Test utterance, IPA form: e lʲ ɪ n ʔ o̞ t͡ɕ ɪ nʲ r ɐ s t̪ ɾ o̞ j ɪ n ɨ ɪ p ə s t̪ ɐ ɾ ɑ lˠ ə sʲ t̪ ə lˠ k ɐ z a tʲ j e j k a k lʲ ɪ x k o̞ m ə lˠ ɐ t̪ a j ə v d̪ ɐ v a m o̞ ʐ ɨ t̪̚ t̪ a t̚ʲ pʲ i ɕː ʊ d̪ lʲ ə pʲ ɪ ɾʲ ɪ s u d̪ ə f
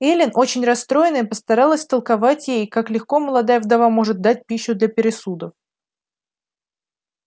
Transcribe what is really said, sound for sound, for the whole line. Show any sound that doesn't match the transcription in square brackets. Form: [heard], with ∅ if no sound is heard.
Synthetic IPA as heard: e lʲ ɪ n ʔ o̞ t͡ɕ ɪ nʲ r ɐ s t̪ ɾ o̞ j ɪ n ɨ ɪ p ə s t̪ ɐ ɾ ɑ lˠ ə sʲ t̪ ə lˠ k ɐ [v] a tʲ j e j k a k lʲ ɪ x k o̞ m ə lˠ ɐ [d̪] a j ə v d̪ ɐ v a m o̞ ʐ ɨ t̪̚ [d̪] a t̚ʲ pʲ i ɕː ʊ d̪ lʲ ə pʲ ɪ ɾʲ ɪ s u d̪ ə f